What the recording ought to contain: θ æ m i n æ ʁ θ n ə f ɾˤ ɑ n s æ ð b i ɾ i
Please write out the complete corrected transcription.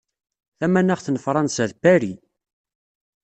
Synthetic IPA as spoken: θ æ m æ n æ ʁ θ n ə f ɾˤ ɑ n s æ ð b æ ɾ i